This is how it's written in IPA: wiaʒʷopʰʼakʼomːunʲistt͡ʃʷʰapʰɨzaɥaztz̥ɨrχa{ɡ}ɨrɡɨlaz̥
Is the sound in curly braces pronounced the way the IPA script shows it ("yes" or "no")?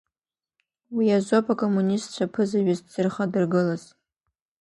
no